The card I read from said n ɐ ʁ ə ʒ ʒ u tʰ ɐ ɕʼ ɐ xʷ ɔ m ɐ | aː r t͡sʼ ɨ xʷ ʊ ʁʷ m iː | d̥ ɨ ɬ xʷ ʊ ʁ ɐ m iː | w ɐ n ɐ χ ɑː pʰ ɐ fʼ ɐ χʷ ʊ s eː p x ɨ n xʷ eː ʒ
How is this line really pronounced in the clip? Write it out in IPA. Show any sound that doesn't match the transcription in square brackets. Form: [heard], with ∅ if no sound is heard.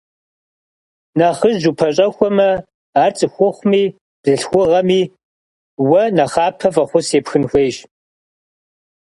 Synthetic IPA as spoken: n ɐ [χ] ə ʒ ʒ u [pʰ] ɐ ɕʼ ɐ xʷ ɔ m ɐ | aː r t͡sʼ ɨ xʷ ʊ [χʷ] m iː | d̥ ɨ ɬ xʷ ʊ ʁ ɐ m iː | w ɐ n ɐ χ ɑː pʰ ɐ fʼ ɐ χʷ ʊ s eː p x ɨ n xʷ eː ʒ